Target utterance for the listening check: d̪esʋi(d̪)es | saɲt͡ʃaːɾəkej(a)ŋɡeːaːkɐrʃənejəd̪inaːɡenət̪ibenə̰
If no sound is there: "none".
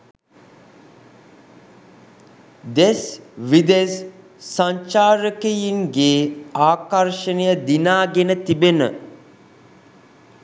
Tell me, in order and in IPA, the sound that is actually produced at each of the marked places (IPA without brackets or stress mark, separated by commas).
d̪, i